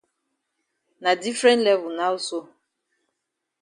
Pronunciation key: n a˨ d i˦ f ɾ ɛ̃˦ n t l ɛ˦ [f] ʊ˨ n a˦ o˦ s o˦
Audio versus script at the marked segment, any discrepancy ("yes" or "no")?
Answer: yes